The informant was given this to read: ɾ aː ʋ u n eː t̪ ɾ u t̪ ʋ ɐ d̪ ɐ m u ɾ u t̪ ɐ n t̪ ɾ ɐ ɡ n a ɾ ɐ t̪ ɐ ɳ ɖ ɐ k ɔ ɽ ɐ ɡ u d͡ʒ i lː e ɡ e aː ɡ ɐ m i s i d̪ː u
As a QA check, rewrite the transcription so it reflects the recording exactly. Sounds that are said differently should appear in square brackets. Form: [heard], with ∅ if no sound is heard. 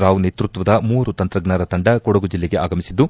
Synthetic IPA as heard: ɾ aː ʋ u n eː t̪ ɾ u t̪ ʋ ɐ d̪ ɐ m [uː] ɾ u t̪ ɐ n t̪ ɾ ɐ ɡ n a ɾ ɐ t̪ ɐ ɳ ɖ ɐ k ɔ ɽ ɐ ɡ u d͡ʒ i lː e ɡ e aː ɡ ɐ m i s i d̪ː u

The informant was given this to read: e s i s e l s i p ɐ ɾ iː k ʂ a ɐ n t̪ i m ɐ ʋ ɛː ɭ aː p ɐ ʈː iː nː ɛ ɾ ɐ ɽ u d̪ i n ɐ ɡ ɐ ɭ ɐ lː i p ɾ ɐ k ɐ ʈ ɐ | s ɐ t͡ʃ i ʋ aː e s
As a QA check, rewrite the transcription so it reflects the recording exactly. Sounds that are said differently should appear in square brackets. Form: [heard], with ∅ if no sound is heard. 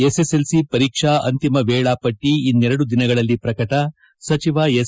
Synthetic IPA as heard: e s [e] s e l s i p ɐ ɾ iː k ʂ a ɐ n t̪ i m ɐ ʋ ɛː ɭ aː p ɐ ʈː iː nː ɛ ɾ ɐ ɽ u d̪ i n ɐ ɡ ɐ ɭ ɐ lː i p ɾ ɐ k ɐ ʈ ɐ | s ɐ t͡ʃ i ʋ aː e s

